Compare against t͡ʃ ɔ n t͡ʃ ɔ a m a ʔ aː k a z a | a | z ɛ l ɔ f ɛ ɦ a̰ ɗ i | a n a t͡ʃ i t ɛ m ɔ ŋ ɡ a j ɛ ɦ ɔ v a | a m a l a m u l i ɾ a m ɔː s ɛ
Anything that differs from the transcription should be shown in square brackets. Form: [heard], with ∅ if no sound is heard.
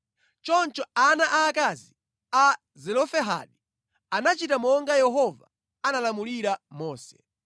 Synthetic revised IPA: t͡ʃ ɔ n t͡ʃ ɔ a [n] a ʔ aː k a z [i] | a | z ɛ l ɔ f ɛ ɦ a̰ ɗ i | a n a t͡ʃ i t [a] m ɔ ŋ ɡ a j ɛ ɦ ɔ v a | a [n] a l a m u l i ɾ a m ɔː s ɛ